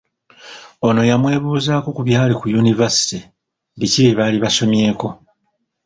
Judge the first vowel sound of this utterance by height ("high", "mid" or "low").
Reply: mid